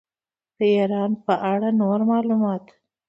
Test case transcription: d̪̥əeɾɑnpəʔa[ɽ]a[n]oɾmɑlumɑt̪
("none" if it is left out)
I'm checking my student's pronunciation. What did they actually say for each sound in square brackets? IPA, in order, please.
ɽ, n

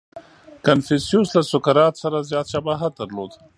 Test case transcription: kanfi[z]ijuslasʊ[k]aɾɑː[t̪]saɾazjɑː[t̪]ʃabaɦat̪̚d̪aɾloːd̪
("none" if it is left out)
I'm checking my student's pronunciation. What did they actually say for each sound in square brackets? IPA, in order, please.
s, k, t̪, t̪

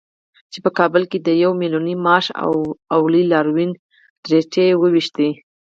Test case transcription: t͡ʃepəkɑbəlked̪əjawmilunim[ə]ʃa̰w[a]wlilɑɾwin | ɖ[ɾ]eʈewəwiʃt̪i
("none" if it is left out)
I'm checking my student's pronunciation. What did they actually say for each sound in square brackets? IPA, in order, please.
ɑ, a, ɾ

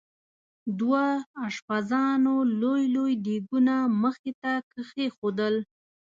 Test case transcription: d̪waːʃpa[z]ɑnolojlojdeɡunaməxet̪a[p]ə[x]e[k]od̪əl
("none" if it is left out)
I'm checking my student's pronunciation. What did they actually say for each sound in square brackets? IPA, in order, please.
z, k, x, x

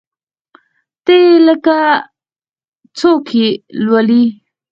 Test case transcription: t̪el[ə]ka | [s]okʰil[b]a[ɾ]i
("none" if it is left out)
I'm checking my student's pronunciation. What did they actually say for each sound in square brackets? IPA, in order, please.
ə, t͡s, w, l

